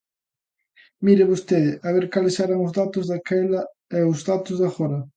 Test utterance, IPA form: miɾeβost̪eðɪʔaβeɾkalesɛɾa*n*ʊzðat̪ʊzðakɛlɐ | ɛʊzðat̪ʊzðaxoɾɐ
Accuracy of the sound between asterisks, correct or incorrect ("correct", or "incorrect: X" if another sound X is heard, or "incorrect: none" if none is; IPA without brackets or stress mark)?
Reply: incorrect: ŋ